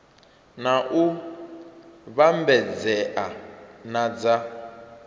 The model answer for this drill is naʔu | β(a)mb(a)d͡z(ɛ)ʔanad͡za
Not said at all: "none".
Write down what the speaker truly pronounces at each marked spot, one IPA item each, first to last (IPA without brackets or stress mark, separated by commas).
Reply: a, ɛ, ɛ